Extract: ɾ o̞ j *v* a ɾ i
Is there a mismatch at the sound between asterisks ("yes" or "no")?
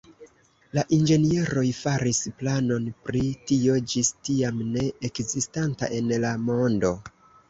yes